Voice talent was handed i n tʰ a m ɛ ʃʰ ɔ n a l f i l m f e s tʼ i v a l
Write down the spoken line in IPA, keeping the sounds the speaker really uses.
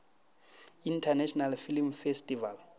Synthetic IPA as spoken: i n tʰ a n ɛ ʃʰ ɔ n a l f i l m f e s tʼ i v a l